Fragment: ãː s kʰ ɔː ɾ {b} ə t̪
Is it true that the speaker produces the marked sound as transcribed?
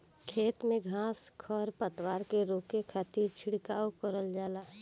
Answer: no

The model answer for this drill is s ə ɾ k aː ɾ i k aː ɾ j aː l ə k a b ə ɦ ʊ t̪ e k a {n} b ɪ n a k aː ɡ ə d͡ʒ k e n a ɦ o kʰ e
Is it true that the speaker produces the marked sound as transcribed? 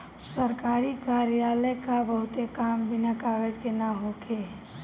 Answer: no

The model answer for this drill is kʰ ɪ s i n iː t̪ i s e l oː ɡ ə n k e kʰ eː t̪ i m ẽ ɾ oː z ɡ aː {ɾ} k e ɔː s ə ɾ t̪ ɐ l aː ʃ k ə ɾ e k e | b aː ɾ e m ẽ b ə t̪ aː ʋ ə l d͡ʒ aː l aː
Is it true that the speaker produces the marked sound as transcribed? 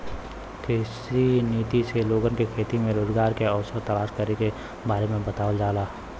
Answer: yes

